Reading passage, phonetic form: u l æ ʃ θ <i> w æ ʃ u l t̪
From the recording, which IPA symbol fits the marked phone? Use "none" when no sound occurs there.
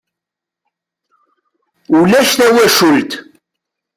æ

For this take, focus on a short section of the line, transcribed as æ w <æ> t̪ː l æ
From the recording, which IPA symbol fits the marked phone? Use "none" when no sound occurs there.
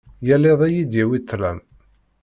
i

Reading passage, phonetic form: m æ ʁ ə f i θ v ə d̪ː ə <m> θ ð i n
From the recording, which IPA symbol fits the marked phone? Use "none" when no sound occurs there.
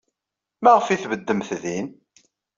m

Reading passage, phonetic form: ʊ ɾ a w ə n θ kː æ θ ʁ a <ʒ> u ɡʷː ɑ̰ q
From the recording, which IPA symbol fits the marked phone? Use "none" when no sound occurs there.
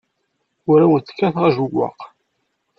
ʒ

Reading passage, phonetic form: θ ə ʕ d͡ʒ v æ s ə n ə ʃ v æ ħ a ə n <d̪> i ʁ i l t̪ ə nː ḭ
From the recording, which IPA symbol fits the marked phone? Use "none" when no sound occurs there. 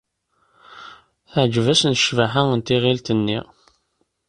t̪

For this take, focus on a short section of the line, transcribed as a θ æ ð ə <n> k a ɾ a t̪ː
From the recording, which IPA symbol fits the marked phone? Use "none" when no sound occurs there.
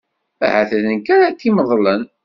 n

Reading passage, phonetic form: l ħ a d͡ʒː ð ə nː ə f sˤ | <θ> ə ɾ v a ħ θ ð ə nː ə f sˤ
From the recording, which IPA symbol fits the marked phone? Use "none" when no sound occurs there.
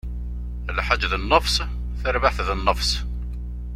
θ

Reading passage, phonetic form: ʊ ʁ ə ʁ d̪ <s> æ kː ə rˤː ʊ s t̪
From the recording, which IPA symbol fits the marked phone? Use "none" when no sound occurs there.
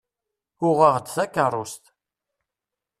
θ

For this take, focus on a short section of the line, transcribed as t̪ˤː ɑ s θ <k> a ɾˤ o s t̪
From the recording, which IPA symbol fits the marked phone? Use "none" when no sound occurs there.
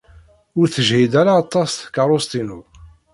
k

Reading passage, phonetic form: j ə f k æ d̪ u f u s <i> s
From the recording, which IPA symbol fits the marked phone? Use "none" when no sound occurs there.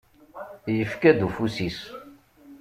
i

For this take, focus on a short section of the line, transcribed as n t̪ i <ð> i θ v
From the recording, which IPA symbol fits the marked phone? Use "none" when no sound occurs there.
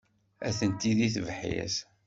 ð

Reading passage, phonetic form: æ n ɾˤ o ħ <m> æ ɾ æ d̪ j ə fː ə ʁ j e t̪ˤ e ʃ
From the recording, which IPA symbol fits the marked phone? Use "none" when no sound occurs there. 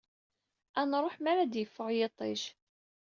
m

